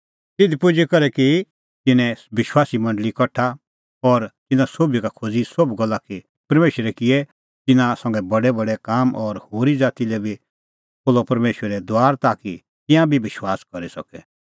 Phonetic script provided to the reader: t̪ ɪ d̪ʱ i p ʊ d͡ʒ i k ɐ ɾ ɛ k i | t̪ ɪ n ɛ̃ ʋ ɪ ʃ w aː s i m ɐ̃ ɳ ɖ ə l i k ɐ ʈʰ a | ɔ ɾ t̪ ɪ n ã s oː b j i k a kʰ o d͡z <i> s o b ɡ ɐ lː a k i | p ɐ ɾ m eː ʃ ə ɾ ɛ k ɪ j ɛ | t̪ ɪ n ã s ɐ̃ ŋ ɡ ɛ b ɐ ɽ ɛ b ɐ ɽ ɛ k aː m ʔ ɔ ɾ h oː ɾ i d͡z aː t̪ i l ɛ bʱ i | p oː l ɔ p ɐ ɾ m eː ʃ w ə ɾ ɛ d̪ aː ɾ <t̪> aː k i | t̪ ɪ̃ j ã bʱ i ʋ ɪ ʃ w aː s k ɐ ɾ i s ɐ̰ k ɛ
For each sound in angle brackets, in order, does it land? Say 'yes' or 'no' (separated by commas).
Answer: yes, yes